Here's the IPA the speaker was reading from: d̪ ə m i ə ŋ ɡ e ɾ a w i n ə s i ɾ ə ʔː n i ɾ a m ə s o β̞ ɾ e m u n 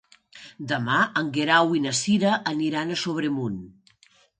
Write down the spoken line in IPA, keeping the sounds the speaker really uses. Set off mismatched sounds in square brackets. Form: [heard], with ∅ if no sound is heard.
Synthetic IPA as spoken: d̪ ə m [a] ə ŋ ɡ e ɾ a w i n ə s i ɾ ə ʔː n i ɾ a [n] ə s o β̞ ɾ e m u n